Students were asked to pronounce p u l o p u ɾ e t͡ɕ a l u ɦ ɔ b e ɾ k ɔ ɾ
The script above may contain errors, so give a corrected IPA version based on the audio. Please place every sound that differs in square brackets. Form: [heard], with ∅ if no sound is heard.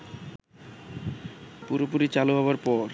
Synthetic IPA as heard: p u [ɾ] o p u ɾ [i] t͡ɕ a l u ɦ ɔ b [a] ɾ [p] ɔ ɾ

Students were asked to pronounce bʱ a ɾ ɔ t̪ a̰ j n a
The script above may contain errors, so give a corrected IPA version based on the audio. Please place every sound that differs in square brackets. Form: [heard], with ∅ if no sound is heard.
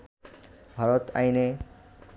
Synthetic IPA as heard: bʱ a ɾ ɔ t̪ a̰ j n [e]

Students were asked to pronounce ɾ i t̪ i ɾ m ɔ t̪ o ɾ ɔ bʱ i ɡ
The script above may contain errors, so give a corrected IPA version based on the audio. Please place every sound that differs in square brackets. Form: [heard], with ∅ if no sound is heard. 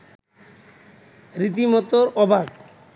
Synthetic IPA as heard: ɾ i t̪ i [∅] m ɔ t̪ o ɾ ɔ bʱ [a] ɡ

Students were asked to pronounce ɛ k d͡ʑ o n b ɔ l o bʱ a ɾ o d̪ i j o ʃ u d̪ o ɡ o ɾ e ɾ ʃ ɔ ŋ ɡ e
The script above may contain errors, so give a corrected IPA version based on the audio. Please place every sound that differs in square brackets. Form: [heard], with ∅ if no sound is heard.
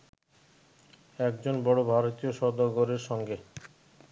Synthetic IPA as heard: ɛ k d͡ʑ o n b ɔ [ɽ] o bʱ a ɾ o [t̪] i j o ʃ [ɔ] d̪ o ɡ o ɾ e ɾ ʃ ɔ ŋ ɡ e

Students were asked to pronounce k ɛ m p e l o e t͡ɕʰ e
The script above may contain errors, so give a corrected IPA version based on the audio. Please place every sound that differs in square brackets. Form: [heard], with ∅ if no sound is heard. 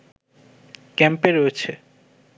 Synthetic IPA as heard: k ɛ m p e [ɾ] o e t͡ɕʰ e

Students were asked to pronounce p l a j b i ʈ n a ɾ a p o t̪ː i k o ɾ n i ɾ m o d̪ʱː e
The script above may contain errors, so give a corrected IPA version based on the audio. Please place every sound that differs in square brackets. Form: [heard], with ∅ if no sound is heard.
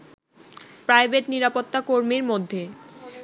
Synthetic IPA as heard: p [ɾ] a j b [e] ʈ n [i] ɾ a p o t̪ː [a] k o ɾ [m] i ɾ m o d̪ʱː e

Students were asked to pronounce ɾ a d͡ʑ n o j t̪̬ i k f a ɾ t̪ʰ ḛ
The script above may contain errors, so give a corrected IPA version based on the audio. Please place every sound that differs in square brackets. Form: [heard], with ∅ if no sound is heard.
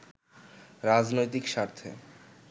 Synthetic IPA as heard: ɾ a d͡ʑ n o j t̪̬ i k [ʃ] a ɾ t̪ʰ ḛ

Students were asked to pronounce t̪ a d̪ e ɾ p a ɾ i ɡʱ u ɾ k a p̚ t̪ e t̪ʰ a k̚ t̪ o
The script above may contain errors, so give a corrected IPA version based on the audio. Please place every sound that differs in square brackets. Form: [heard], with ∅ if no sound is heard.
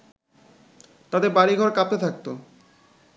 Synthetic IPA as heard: t̪ a d̪ e ɾ [b] a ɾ i ɡʱ [ɔ] ɾ k a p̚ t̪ e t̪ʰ a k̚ t̪ o

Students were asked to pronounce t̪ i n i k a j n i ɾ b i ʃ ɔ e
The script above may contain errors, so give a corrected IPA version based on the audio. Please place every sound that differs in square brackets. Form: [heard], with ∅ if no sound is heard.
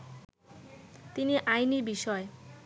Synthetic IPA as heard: t̪ i n i [ʔ] a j n i ɾ b i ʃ ɔ e

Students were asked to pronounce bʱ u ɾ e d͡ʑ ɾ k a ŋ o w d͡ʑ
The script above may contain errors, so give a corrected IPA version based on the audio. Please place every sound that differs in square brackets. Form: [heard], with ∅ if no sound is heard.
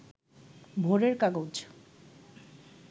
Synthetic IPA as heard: bʱ [o] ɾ e [∅] ɾ k a [ɡ] o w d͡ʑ

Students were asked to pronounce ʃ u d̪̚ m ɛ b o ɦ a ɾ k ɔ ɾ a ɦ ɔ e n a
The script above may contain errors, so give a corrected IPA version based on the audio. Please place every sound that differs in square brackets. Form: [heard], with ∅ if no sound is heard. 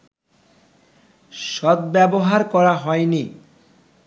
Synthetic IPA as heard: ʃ [ɔ] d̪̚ [b] ɛ b o ɦ a ɾ k ɔ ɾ a ɦ ɔ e n [i]

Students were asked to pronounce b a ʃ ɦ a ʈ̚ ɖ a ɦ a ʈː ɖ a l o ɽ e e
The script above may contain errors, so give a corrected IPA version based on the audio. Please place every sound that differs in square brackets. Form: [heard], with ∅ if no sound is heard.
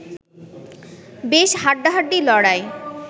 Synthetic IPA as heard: b [e] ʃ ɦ a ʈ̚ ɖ a ɦ a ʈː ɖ [i] l [ɔ] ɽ [a] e

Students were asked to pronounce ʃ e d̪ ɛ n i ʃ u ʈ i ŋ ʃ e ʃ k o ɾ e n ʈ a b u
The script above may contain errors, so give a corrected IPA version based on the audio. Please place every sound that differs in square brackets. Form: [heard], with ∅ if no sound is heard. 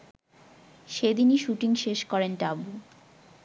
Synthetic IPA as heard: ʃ e d̪ [i] n i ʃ u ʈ i ŋ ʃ e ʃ k [ɔ] ɾ e n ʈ a b u

